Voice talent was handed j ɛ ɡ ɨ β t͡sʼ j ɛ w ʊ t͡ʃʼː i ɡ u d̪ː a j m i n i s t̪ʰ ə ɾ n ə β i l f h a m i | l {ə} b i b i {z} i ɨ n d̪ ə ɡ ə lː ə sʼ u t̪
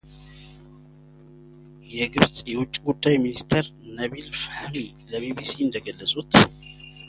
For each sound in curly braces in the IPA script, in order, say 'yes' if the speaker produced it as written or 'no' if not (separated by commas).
yes, no